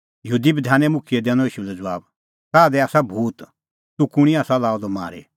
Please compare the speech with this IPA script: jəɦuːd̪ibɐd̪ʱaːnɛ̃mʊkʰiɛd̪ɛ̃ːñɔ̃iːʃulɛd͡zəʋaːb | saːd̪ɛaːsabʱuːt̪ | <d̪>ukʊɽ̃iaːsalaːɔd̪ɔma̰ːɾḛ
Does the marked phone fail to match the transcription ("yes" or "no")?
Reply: yes